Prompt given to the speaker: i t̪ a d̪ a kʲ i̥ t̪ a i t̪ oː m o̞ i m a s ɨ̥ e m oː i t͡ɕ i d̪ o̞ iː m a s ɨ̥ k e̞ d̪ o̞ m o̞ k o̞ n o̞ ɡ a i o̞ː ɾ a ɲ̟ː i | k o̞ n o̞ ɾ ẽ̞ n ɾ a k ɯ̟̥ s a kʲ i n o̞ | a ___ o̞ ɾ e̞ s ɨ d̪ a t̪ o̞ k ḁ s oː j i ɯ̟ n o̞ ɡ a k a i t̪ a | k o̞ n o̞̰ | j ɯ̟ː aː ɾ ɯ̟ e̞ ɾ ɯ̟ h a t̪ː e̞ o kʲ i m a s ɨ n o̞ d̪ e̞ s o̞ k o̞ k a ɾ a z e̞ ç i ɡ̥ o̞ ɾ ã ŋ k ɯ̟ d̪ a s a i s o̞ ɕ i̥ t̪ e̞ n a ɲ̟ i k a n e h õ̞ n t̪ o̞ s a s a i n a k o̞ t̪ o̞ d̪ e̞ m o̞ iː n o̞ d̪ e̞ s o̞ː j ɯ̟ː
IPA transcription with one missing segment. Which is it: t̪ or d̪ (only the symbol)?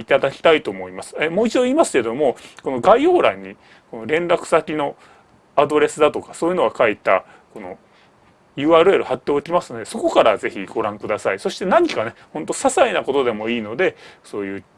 d̪